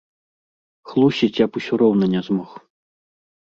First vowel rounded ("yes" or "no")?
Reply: yes